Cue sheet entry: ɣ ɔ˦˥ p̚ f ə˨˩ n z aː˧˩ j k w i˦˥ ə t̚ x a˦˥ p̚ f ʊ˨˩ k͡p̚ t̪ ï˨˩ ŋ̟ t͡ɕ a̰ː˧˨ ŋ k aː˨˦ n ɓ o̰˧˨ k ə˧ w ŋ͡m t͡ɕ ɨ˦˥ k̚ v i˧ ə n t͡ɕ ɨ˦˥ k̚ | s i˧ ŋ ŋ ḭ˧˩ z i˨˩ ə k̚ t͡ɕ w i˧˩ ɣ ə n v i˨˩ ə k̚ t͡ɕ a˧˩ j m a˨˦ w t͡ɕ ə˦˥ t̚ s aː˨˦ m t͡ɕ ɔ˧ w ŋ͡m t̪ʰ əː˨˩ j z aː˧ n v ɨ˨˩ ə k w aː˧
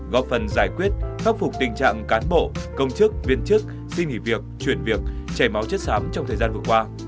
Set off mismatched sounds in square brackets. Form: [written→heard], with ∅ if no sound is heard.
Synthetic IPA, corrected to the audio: ɣ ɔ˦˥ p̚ f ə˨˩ n z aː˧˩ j k w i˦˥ ə t̚ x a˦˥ p̚ f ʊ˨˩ k͡p̚ t̪ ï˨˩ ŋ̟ t͡ɕ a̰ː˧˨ ŋ k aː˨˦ n ɓ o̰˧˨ k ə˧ w ŋ͡m t͡ɕ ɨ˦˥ k̚ v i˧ ə n t͡ɕ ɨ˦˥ k̚ | s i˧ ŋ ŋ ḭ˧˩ [z→v] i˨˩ ə k̚ t͡ɕ w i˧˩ [ɣ→∅] ə n v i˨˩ ə k̚ t͡ɕ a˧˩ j m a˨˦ w t͡ɕ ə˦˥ t̚ s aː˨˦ m t͡ɕ ɔ˧ w ŋ͡m t̪ʰ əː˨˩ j z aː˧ n v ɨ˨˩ ə k w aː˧